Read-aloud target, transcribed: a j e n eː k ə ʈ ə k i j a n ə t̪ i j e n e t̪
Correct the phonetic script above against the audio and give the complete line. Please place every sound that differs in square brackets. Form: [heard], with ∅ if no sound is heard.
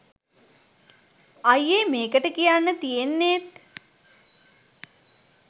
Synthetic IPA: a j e [m] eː k ə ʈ ə k i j a [nː] ə t̪ i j e [nː] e t̪